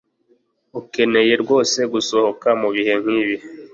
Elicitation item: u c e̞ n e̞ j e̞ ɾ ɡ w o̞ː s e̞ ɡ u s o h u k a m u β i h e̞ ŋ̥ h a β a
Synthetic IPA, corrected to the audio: u k e̞ n e̞ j e̞ ɾ ɡ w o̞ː s e̞ ɡ u s o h o k a m u β i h e̞ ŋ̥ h i β i